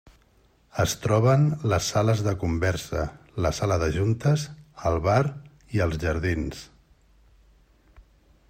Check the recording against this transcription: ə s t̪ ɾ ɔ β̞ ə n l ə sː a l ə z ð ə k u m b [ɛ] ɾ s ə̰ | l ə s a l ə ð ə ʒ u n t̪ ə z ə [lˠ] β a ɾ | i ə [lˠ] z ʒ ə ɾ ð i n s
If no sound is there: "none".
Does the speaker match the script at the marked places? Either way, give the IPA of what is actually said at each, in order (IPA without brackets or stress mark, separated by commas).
ɛ, lˠ, lˠ